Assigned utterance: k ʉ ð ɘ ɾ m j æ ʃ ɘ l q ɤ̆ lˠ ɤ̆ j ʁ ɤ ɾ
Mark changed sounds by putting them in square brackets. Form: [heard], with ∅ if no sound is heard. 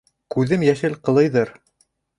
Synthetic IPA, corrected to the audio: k ʉ ð ɘ [∅] m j æ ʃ ɘ l q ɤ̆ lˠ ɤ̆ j [ð] ɤ ɾ